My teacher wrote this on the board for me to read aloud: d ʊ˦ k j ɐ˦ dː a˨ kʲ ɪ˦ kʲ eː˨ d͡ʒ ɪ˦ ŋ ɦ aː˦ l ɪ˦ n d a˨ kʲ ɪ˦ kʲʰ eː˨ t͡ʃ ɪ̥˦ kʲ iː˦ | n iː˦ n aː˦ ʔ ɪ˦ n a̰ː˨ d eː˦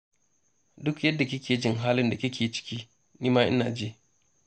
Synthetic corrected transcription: d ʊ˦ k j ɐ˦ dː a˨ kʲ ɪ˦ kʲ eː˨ d͡ʒ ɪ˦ ŋ ɦ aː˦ l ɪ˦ n d a˨ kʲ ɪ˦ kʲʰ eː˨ t͡ʃ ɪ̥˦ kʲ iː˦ | n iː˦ m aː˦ ʔ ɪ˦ n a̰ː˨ d͡ʒ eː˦